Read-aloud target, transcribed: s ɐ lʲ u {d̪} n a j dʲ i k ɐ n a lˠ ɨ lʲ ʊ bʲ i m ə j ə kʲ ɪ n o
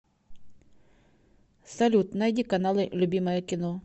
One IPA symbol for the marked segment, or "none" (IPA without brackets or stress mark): t̪